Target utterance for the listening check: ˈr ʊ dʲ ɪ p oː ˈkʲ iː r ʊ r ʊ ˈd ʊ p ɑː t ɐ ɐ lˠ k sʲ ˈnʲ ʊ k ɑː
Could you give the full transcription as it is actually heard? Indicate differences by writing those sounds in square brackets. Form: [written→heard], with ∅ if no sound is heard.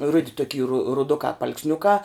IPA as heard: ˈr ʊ dʲ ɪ [p→t] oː ˈkʲ iː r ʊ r ʊ ˈd ʊ [p→k] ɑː [t→p] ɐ ɐ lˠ k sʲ ˈnʲ ʊ k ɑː